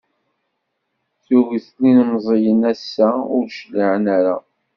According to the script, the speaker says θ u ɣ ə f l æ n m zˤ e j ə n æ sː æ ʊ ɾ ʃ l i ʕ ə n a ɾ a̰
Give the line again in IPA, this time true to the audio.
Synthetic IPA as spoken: θ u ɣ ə θ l i n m zˤ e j ə n æ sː æ ʊ ɾ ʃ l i ʕ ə n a ɾ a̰